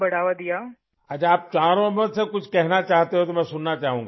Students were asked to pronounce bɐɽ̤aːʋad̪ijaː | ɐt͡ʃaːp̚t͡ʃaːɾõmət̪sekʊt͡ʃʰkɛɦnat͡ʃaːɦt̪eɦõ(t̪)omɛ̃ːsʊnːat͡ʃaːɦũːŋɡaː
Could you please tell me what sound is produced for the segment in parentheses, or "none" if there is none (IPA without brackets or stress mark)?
t̪